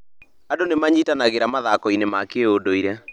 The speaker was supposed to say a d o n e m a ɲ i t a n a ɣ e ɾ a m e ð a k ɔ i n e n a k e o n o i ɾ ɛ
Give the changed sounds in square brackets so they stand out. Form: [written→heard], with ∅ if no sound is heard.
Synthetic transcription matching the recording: a d o n e m a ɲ i t a n a ɣ e ɾ a m [e→a] ð a k ɔ i n e [n→m] a k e o [n→d] o i ɾ ɛ